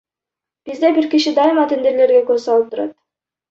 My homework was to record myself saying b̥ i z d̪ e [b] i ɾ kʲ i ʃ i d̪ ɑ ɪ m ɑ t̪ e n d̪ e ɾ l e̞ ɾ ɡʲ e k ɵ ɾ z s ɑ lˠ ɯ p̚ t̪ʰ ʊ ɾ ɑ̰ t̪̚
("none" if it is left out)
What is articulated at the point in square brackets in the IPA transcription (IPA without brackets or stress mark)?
b